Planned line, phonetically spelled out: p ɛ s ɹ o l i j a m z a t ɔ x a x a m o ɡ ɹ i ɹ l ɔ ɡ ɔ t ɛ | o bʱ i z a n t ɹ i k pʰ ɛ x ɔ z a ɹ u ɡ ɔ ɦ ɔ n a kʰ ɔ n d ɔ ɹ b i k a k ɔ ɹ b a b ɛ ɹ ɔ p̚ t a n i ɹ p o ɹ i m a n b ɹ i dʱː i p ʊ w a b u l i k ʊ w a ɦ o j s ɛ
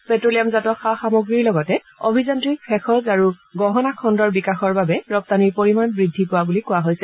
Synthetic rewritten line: p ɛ t ɹ o l i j a m z a t ɔ x a x a m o ɡ ɹ i ɹ l ɔ ɡ ɔ t ɛ | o bʱ i z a n t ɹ i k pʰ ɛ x ɔ z a ɹ u ɡ ɔ ɦ ɔ n a kʰ ɔ n d ɔ ɹ b i k a x ɔ ɹ b a b ɛ ɹ ɔ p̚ t a n i ɹ p o ɹ i m a n b ɹ i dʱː i p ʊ w a b u l i k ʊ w a ɦ o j s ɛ